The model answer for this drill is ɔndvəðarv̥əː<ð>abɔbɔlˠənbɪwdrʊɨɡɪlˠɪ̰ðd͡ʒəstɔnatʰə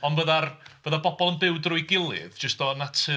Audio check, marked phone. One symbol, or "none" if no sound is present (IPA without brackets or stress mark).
ð